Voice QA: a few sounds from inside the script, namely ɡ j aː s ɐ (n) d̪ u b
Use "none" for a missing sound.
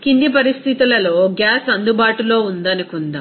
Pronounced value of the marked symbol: n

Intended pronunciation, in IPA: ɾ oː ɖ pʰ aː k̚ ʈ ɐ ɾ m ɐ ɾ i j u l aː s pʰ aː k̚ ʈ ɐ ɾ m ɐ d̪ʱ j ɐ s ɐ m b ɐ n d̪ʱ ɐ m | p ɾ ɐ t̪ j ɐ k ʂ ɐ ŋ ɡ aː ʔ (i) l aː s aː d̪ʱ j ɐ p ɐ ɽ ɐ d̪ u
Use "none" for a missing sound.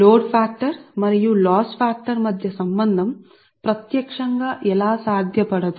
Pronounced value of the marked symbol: ɛ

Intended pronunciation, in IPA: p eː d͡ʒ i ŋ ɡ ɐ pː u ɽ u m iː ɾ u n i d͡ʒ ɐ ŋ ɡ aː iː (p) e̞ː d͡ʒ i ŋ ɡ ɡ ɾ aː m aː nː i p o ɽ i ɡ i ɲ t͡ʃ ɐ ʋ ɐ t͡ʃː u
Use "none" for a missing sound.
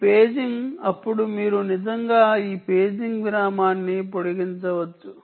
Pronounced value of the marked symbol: p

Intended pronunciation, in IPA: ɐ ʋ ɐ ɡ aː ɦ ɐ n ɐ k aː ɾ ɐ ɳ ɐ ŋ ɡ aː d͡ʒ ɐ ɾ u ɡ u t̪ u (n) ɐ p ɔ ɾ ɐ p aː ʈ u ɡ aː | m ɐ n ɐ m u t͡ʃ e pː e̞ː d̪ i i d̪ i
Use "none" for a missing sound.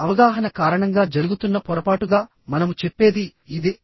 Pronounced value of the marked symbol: nː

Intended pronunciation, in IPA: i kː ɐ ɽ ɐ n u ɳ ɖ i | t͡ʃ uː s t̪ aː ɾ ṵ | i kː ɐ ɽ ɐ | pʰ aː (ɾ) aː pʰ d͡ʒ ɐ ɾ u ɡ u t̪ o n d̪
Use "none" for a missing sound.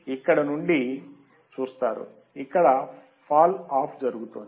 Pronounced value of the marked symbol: l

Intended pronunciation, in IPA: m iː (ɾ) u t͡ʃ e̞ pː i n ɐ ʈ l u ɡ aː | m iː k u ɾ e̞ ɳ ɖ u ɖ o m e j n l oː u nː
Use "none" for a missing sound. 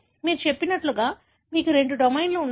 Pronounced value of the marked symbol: ɾ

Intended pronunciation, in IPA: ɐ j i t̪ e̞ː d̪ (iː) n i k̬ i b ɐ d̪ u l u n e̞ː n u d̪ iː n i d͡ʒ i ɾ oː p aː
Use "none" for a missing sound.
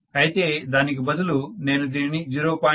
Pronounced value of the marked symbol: aː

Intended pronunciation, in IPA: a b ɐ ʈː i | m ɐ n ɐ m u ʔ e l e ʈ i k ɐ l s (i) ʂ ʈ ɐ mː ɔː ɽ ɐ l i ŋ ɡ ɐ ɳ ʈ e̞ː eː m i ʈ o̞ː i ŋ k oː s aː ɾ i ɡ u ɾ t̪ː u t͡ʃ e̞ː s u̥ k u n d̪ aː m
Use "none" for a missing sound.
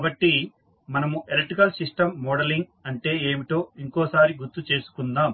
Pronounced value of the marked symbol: i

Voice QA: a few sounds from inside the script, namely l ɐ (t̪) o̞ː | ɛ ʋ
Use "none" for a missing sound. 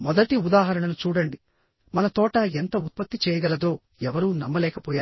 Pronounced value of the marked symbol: d̪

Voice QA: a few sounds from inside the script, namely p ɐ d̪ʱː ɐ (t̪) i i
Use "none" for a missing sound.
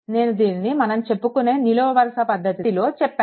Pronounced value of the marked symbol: t̪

